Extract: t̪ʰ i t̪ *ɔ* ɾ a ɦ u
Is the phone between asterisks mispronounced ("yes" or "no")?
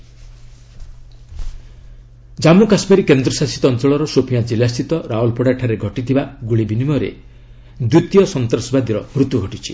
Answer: no